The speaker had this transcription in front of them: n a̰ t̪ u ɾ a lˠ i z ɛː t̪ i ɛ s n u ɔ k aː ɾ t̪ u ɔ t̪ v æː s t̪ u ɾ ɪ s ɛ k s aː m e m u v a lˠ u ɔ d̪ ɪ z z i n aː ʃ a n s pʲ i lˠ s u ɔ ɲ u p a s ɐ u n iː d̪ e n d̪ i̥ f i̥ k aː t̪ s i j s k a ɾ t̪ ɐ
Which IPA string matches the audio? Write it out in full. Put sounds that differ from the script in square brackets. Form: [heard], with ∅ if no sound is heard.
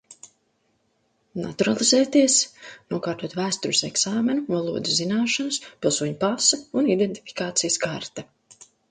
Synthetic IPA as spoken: n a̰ t̪ u ɾ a lˠ i z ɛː t̪ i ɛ s n u ɔ k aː ɾ t̪ u ɔ t̪ v æː s t̪ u ɾ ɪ s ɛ k s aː m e [n] u v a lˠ u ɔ d̪ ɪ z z i n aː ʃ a n s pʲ i lˠ s u ɔ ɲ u p a s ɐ u n [i] d̪ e n [t̪] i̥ f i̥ k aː t̪ s i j s k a ɾ t̪ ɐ

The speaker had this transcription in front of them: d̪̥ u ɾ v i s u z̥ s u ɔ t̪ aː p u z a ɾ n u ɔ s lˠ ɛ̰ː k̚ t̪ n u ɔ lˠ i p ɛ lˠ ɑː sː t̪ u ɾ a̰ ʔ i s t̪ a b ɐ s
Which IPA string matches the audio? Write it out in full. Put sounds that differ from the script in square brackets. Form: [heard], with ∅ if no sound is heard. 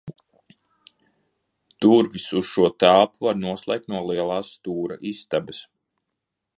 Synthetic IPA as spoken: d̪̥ u ɾ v i s u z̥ [ʃ] u ɔ t̪ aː p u [v] a ɾ n u ɔ s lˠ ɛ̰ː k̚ t̪ n u ɔ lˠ i [∅] ɛ lˠ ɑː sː t̪ [uː] ɾ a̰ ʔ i s t̪ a b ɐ s

